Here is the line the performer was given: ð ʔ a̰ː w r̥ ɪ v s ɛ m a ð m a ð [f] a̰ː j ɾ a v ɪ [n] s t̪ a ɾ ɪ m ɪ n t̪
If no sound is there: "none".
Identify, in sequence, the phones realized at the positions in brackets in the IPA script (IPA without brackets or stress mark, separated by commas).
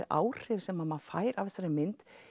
f, none